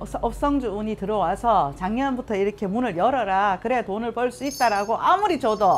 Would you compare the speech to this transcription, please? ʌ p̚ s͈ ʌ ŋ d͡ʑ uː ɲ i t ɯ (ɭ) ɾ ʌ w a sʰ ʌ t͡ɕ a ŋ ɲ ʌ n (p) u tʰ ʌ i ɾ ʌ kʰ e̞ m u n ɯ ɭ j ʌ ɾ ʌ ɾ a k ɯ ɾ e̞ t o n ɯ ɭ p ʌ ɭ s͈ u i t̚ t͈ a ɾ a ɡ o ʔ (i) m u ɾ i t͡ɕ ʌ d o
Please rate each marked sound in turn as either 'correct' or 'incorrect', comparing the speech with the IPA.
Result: incorrect: none, incorrect: b, incorrect: a

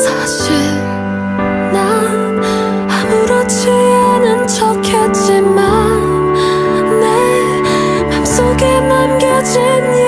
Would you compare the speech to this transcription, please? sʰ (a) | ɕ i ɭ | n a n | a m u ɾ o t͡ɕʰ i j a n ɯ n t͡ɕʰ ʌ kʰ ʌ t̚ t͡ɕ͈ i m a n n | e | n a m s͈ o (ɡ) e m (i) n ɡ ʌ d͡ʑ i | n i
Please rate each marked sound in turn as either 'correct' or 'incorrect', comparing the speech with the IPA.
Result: correct, correct, incorrect: a

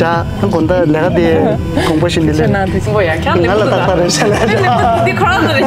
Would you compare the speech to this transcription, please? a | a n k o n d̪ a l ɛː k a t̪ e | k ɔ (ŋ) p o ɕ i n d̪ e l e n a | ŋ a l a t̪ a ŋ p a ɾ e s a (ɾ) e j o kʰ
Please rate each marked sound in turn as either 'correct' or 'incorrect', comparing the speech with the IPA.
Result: correct, incorrect: l

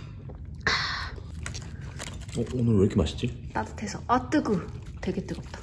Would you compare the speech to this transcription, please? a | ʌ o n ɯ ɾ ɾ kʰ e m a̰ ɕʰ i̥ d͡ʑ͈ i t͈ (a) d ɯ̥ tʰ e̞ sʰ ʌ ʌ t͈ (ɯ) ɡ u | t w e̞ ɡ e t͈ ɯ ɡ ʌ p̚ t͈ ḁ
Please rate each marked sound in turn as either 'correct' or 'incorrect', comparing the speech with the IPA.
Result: correct, correct

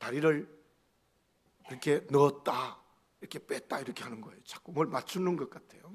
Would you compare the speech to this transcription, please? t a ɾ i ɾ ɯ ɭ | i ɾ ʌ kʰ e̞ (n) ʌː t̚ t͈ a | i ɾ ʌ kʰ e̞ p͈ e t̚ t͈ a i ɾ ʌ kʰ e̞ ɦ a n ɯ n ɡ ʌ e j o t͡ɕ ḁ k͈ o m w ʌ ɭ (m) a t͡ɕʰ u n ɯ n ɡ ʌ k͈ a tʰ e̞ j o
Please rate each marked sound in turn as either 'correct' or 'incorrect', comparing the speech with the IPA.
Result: correct, correct

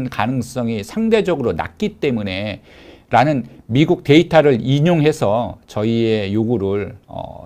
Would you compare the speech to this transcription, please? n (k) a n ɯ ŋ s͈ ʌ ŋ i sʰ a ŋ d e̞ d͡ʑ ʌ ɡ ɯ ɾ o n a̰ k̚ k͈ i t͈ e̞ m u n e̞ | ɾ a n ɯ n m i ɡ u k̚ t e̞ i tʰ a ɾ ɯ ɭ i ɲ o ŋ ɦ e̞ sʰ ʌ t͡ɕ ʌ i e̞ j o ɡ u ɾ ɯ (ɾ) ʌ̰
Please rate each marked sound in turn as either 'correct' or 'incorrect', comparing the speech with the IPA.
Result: correct, incorrect: ɭ

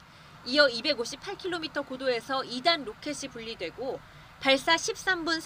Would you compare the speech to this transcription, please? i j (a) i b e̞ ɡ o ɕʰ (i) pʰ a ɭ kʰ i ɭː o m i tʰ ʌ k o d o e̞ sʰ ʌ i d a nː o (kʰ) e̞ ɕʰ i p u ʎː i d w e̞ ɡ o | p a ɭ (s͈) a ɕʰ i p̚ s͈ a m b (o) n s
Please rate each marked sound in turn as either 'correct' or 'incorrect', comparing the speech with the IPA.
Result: incorrect: ʌ, correct, correct, correct, incorrect: u

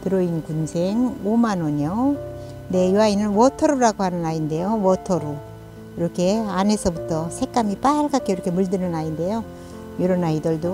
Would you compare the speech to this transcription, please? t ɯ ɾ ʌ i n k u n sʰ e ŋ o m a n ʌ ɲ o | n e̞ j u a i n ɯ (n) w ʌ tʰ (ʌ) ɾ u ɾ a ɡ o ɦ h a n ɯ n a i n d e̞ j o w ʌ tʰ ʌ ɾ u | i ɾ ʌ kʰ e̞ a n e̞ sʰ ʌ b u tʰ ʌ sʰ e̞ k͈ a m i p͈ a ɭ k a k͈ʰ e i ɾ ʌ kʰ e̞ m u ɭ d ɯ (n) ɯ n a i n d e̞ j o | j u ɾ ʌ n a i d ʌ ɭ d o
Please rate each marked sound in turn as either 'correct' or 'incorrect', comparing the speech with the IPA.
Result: correct, correct, correct

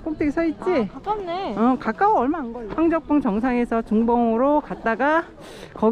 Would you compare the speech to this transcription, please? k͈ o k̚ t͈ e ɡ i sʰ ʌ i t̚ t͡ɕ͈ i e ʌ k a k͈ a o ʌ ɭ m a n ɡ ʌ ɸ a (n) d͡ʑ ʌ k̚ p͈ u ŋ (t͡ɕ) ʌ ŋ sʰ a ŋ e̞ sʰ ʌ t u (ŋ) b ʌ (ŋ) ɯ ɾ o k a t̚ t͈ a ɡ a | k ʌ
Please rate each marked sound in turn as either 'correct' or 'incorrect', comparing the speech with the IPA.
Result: incorrect: ŋ, correct, correct, correct

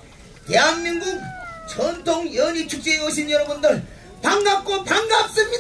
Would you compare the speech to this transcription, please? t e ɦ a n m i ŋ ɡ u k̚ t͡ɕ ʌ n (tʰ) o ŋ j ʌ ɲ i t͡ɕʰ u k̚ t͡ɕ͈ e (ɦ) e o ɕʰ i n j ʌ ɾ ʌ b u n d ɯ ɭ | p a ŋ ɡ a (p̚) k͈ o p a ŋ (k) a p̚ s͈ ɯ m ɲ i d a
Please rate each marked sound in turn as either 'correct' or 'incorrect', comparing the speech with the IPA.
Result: correct, incorrect: none, correct, incorrect: ɡ

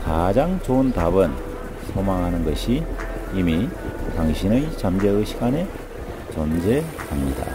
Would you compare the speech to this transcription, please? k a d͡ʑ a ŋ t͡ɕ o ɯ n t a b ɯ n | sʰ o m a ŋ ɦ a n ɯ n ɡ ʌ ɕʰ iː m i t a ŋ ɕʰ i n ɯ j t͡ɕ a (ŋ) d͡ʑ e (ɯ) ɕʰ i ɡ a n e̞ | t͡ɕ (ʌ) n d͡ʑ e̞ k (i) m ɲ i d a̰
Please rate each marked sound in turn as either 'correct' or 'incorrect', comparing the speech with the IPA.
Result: incorrect: m, correct, correct, incorrect: a

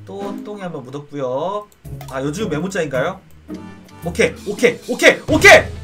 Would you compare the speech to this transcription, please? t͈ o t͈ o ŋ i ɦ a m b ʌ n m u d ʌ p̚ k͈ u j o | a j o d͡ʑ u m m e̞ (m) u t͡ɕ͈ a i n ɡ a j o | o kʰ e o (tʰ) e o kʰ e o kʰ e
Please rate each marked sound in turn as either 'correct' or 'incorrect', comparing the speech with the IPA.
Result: correct, incorrect: kʰ

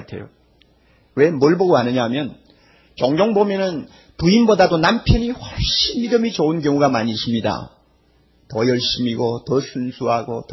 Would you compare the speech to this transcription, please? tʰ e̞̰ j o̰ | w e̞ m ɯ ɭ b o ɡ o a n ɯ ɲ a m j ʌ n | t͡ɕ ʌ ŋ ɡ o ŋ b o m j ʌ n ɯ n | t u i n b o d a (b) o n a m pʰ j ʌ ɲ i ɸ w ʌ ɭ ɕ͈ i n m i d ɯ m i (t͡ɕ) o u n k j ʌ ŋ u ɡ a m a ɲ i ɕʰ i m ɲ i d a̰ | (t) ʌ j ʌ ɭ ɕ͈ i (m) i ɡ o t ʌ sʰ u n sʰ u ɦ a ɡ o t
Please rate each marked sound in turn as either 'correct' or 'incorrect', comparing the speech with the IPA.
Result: incorrect: d, correct, correct, correct

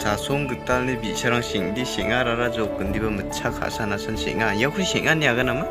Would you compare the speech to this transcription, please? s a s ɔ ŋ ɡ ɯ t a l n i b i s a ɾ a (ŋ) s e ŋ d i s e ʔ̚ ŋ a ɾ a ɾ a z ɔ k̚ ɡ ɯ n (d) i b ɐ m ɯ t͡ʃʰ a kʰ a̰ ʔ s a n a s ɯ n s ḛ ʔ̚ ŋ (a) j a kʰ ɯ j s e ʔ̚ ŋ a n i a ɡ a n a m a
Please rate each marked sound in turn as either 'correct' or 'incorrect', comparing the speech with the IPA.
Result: correct, correct, correct

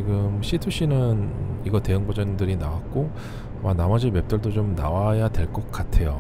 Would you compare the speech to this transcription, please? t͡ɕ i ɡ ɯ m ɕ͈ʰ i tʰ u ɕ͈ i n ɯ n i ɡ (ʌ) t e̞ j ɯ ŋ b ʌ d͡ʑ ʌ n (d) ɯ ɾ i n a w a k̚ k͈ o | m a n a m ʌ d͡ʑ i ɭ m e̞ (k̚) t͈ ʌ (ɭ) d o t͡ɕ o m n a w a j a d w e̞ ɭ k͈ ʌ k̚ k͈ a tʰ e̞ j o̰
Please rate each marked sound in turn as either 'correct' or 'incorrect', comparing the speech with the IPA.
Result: correct, correct, incorrect: p̚, correct

